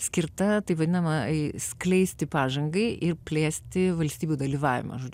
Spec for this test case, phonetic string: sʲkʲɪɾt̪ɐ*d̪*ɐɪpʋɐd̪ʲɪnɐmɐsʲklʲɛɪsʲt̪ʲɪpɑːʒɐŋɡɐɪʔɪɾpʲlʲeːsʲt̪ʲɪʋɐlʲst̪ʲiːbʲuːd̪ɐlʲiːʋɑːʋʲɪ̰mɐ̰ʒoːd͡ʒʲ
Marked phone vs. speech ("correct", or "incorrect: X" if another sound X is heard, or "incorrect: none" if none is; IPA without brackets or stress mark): incorrect: t̪